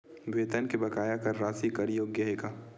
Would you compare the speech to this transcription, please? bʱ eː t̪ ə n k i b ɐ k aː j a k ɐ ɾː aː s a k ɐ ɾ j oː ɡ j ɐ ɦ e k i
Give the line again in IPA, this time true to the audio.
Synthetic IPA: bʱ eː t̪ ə n k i b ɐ k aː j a k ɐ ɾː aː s i k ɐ ɾ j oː ɡ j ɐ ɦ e k a